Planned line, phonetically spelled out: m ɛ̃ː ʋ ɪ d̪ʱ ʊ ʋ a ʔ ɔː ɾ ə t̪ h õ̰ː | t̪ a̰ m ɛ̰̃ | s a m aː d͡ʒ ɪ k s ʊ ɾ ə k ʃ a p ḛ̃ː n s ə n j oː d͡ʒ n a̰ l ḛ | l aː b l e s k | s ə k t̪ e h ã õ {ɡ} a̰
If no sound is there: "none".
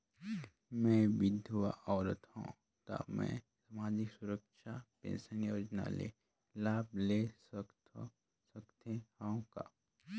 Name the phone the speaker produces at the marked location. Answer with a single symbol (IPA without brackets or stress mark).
k